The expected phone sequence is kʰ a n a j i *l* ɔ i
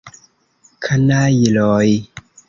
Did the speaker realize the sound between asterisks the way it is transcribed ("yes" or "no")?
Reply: yes